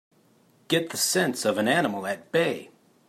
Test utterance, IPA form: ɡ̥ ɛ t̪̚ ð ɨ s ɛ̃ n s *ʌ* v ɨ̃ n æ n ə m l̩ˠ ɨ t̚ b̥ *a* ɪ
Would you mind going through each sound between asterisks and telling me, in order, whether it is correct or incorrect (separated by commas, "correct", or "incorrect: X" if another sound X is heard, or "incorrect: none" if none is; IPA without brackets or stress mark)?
correct, incorrect: e